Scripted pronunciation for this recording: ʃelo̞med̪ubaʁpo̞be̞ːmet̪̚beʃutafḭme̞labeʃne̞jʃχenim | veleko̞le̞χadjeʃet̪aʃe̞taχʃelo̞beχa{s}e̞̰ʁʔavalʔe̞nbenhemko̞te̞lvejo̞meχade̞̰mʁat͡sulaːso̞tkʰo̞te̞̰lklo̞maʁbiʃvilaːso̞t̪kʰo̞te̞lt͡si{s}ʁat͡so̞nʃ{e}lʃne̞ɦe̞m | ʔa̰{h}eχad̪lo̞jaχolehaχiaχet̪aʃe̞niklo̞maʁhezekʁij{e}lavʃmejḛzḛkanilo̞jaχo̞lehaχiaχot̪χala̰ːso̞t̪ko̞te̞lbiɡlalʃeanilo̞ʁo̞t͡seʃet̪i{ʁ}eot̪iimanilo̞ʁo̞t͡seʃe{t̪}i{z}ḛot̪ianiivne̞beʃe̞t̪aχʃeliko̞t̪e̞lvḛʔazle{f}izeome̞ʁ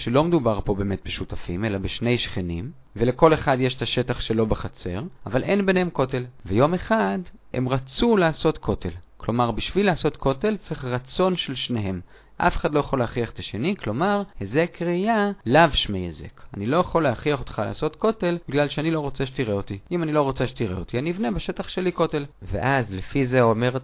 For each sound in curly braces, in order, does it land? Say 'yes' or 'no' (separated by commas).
no, no, yes, no, no, yes, yes, no, yes